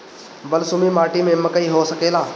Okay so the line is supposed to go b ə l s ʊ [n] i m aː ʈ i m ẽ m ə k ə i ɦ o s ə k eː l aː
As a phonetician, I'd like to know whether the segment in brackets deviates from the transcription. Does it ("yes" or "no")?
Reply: yes